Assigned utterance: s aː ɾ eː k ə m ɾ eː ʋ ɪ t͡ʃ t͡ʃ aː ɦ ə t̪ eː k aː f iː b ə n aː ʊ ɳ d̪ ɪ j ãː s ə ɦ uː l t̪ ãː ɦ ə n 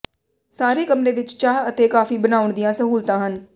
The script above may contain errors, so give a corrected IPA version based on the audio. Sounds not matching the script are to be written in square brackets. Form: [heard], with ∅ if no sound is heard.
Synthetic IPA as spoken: s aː ɾ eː k ə m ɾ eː ʋ ɪ t͡ʃ t͡ʃ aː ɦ ə t̪ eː k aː f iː b ə n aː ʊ ɳ d̪ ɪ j ãː s ə ɦ uː l t̪ ãː ɦ ə n